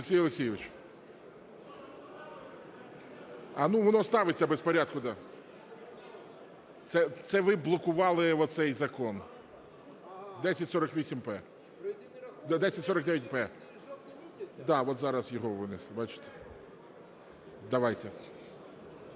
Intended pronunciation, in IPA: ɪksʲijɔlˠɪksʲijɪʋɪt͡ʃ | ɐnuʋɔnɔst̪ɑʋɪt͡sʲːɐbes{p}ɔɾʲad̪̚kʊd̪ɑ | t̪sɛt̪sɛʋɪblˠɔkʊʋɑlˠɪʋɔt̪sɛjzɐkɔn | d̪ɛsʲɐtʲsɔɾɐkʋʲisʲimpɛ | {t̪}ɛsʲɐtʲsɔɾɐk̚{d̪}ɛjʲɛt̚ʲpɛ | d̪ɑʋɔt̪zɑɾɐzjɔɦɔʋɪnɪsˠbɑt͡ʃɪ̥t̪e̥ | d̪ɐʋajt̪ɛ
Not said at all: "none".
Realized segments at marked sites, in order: p, d̪, d̪

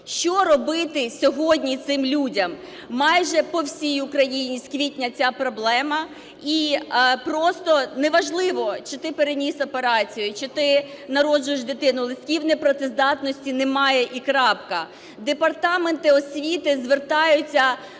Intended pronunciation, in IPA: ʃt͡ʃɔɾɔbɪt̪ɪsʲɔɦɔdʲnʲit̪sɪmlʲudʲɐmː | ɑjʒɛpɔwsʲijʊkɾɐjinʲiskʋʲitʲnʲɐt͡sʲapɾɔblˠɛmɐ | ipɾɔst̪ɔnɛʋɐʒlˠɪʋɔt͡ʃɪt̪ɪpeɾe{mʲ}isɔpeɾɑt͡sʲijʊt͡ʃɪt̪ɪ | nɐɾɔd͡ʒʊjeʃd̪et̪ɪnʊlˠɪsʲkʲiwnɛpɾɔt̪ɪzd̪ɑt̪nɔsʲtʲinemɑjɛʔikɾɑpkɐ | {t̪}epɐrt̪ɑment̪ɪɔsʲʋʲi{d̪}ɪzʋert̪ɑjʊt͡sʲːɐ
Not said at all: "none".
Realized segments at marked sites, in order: nʲ, d̪, t̪

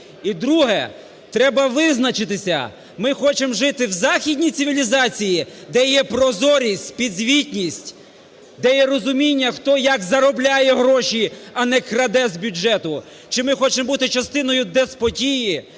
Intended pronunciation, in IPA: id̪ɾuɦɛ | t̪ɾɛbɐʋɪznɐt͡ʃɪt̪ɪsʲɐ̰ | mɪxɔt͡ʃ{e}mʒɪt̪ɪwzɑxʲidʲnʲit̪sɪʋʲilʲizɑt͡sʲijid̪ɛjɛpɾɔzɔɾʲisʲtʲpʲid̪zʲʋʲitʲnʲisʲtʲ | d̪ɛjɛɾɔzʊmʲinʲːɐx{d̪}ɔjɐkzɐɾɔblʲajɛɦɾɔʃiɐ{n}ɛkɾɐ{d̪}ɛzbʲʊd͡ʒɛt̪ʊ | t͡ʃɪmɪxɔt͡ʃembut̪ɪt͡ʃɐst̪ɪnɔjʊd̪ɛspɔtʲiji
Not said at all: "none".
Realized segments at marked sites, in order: e, t̪, n, d̪

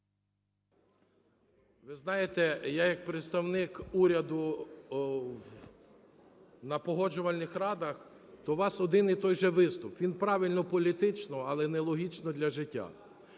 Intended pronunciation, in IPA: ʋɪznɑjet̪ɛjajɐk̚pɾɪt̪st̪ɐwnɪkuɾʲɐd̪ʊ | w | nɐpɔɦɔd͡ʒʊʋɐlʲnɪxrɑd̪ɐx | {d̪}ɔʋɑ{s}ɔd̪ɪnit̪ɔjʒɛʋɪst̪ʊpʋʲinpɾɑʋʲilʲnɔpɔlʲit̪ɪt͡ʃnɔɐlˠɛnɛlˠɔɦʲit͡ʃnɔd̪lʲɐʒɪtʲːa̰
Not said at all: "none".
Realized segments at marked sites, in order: t̪, s

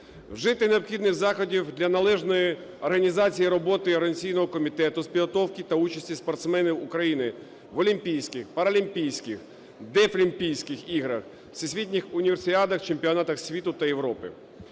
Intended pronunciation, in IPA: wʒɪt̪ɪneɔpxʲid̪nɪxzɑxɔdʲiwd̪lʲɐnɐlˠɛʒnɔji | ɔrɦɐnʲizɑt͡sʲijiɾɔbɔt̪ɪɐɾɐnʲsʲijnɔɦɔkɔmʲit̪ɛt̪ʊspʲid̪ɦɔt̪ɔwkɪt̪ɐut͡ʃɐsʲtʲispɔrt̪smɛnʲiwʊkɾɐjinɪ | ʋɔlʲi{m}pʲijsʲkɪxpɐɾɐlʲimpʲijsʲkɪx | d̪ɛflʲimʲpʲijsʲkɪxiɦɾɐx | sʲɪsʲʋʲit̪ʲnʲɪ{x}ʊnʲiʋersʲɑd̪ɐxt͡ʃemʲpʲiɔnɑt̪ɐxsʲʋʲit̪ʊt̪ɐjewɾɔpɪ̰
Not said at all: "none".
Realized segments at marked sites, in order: m, x

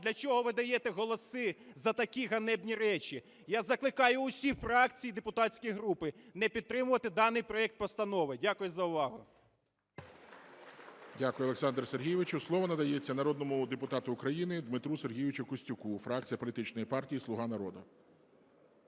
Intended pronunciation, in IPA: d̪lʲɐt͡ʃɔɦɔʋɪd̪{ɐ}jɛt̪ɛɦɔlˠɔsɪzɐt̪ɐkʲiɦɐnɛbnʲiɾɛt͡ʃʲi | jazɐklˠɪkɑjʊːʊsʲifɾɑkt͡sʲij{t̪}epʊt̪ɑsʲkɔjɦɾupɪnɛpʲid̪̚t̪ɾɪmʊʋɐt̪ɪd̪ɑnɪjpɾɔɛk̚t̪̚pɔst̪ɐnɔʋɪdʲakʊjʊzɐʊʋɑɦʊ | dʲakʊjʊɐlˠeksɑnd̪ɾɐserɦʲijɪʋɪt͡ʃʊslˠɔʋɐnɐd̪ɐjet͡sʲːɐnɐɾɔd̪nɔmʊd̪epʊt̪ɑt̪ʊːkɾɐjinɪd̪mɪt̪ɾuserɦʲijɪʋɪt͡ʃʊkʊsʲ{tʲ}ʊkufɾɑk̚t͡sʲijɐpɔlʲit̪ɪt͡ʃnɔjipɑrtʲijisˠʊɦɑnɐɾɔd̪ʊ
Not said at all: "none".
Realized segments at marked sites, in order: ɐ, d̪, tʲ

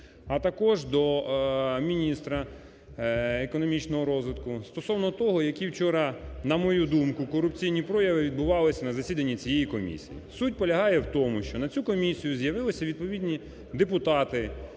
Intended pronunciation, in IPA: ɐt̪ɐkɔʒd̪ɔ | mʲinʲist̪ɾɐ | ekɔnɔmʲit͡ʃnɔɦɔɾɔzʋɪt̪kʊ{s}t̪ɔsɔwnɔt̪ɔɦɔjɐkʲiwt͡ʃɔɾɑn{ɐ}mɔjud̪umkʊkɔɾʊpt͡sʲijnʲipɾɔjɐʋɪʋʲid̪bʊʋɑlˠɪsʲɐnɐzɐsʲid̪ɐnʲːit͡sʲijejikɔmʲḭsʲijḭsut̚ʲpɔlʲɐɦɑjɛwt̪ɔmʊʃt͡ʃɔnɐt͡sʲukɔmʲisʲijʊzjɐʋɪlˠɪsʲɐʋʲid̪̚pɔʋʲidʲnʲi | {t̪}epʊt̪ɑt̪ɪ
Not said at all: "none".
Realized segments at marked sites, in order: s, ɐ, d̪

